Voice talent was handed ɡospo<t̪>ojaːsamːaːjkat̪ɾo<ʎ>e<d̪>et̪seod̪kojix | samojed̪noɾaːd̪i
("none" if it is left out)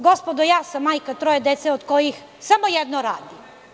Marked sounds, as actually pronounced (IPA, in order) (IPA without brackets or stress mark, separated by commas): d̪, j, d̪